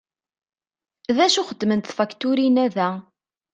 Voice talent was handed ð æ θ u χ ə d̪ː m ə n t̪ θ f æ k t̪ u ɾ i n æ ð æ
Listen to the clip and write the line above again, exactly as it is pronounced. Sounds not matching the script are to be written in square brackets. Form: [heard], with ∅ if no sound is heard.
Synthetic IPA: ð æ [ʃ] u χ ə d̪ː m ə n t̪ θ f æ k t̪ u ɾ i n æ ð æ

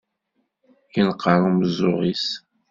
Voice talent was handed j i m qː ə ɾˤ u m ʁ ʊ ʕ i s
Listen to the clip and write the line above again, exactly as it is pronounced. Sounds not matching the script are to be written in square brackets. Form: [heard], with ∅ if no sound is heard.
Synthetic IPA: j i [n] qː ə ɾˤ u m [z] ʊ [ʁ] i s

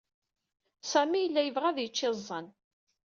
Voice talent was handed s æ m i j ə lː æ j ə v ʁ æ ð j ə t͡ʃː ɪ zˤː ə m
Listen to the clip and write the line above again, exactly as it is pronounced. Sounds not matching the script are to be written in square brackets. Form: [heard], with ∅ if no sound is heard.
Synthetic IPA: s æ m i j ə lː æ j ə v ʁ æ ð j ə t͡ʃː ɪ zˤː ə [n]

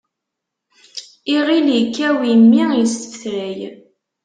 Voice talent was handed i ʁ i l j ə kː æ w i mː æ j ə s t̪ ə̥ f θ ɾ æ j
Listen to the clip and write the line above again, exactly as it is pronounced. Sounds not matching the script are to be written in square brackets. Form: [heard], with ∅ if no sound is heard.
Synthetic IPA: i ʁ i l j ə kː æ w i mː [i] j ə s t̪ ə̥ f θ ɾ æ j

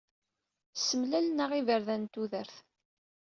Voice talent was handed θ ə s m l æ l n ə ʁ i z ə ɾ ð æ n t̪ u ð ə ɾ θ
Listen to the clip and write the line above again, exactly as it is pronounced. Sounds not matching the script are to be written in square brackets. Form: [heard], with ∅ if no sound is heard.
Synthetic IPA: [s] ə [∅] m l æ l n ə ʁ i [v] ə ɾ ð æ n t̪ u ð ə ɾ θ

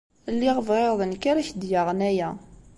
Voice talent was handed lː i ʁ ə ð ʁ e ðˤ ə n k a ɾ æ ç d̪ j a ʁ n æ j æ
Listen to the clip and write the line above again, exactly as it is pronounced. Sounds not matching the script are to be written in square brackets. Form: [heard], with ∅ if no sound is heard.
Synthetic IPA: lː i ʁ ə [v] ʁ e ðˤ ə n k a ɾ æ ç d̪ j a ʁ n æ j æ

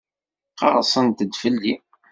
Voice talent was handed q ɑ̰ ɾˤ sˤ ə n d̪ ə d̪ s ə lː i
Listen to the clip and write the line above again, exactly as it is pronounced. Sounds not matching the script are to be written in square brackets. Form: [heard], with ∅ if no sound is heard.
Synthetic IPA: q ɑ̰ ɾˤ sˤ ə n [t̪] ə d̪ [f] ə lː i

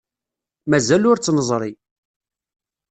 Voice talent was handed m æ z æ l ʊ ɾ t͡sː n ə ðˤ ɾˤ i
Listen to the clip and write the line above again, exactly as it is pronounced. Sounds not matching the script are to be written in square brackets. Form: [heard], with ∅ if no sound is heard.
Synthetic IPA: m æ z æ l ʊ ɾ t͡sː n ə [zˤ] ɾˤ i

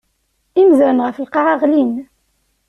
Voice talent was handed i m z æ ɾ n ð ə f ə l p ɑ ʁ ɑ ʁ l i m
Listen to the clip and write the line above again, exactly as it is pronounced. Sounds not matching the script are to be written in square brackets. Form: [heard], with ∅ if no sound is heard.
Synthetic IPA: i m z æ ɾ n [ʁ] ə f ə l [q] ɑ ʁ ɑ ʁ l i [n]

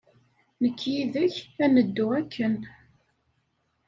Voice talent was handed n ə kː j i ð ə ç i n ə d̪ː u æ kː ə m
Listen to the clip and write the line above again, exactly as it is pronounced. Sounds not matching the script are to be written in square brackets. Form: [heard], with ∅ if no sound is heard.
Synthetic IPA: n ə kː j i ð ə ç [æ] n ə d̪ː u æ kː ə [n]

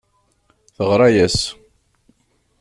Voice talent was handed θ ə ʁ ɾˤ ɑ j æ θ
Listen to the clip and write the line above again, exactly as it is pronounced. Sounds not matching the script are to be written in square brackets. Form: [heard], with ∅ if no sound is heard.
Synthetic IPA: θ ə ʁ ɾˤ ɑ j æ [s]

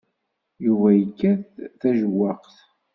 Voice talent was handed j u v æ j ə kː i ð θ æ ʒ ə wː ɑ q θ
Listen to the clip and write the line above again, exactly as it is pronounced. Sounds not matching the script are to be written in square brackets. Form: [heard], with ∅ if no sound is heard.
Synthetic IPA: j u v æ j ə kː [æ] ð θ æ ʒ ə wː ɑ q θ

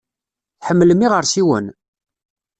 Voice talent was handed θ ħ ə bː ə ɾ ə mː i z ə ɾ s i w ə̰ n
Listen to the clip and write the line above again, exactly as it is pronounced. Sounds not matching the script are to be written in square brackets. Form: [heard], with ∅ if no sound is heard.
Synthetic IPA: θ ħ ə [mː] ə [l] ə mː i [ʁ] ə ɾ s i w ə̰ n

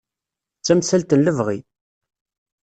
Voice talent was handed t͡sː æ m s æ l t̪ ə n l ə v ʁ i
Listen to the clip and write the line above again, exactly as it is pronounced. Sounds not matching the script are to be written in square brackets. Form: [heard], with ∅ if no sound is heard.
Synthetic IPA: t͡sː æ m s æ l t̪ ə n l ə v ʁ i

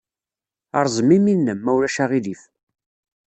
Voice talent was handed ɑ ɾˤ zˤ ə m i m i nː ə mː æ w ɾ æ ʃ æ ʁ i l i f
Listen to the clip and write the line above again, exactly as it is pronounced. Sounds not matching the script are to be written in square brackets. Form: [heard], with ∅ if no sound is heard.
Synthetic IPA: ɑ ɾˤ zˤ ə m i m i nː ə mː æ w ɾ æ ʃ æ ʁ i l i f

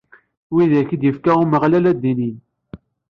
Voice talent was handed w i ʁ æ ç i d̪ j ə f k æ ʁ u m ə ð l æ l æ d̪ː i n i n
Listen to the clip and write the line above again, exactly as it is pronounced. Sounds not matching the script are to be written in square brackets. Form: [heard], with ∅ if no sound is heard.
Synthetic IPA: w i [ð] æ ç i d̪ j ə f k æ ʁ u m ə [ʁ] l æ l æ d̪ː i n i n

